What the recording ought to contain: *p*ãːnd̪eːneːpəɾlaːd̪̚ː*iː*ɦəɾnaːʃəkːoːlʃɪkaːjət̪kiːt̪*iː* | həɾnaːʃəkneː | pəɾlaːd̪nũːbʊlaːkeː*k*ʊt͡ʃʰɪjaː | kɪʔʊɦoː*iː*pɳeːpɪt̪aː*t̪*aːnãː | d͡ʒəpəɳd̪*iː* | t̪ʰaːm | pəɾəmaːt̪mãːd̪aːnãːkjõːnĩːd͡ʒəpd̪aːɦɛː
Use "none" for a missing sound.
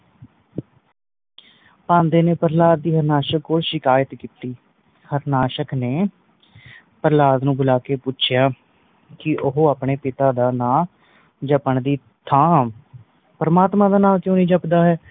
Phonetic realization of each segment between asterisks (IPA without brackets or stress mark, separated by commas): p, iː, iː, p, aː, d̪, iː